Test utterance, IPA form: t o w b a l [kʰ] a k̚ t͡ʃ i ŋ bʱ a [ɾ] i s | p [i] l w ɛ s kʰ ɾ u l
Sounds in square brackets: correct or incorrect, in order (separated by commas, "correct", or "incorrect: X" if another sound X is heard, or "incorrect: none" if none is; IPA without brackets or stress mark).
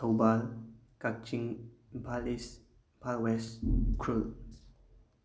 incorrect: k, incorrect: l, incorrect: a